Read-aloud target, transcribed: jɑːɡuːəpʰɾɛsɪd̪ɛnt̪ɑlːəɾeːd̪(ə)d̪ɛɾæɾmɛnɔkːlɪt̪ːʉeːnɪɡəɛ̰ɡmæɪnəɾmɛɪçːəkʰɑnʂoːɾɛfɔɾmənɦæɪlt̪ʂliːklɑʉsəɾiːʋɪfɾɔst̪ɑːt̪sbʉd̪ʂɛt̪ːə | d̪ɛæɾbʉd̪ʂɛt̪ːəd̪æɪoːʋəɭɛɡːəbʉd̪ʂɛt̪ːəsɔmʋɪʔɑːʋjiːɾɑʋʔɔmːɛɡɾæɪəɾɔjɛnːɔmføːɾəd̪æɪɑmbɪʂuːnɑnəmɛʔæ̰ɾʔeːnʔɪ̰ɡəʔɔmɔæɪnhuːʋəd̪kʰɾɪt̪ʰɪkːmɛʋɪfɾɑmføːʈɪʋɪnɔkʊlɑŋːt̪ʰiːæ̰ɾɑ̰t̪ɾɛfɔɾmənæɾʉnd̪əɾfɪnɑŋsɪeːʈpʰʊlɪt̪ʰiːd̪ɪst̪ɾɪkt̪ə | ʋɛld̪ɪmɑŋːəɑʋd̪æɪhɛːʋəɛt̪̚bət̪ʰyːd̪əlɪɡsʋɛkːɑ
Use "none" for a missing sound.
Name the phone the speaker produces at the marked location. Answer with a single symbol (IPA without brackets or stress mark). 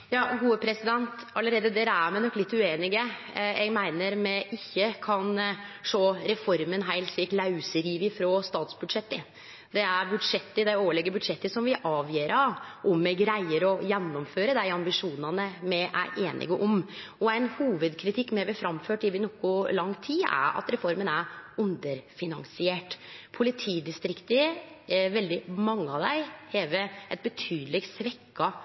ə